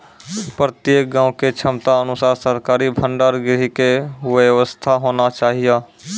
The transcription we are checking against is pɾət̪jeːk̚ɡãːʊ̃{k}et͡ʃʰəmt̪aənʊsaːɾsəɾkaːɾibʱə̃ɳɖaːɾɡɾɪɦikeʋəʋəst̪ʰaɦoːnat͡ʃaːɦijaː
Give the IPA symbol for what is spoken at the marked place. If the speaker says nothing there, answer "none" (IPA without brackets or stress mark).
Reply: k